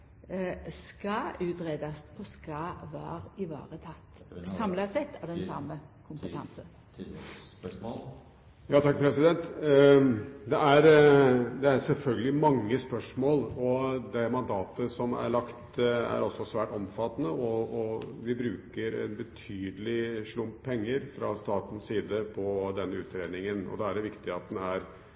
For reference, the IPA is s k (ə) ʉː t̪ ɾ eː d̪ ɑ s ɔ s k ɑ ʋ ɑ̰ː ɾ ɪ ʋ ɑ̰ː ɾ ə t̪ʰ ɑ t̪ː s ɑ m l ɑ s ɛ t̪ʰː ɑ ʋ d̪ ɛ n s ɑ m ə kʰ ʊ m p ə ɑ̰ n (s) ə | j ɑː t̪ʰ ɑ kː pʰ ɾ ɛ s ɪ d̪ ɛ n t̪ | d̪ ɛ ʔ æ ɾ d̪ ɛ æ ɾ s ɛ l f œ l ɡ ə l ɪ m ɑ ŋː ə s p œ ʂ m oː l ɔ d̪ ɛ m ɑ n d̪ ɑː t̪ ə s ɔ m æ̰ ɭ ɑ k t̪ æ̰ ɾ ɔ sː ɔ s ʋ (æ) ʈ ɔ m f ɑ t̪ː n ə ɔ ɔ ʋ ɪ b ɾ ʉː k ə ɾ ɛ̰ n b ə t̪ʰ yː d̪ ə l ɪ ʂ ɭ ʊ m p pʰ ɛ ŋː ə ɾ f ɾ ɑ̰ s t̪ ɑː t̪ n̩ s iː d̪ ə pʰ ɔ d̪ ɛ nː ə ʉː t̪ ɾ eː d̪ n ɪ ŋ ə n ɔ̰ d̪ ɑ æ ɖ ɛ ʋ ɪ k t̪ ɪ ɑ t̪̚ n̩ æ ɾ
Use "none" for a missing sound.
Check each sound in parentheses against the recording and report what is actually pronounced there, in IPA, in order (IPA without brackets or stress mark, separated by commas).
ɑ, s, æː